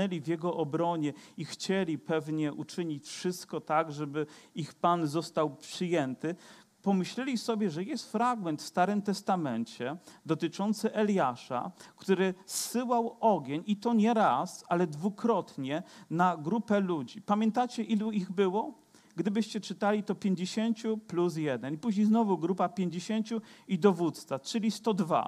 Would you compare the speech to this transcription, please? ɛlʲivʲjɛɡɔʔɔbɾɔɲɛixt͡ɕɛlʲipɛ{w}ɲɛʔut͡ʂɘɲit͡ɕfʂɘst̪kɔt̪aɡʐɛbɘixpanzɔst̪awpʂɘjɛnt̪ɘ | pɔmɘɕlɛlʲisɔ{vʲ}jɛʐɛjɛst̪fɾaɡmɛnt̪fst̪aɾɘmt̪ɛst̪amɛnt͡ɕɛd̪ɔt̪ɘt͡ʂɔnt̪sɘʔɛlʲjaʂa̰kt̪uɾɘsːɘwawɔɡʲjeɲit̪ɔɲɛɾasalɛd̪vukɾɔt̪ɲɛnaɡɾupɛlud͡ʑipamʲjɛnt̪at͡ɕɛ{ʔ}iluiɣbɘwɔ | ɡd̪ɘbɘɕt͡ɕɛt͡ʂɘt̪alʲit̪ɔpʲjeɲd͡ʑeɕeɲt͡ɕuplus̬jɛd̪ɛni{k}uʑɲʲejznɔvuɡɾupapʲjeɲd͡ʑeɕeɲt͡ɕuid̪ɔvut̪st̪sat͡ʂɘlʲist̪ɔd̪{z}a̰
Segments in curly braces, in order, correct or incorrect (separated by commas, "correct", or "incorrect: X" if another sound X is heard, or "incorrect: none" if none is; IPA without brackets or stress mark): incorrect: v, incorrect: bʲ, correct, incorrect: p, incorrect: v